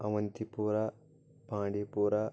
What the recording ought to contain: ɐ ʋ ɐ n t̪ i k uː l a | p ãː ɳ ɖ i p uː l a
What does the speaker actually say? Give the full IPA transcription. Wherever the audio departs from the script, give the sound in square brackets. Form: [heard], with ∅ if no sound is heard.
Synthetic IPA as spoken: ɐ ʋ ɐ n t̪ i [p] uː [ɾ] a | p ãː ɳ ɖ i p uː [ɾ] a